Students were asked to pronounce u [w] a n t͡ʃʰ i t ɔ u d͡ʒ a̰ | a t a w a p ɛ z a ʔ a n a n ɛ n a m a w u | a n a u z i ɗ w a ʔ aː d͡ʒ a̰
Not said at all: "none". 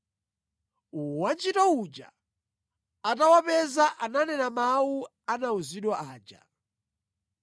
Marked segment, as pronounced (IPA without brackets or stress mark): w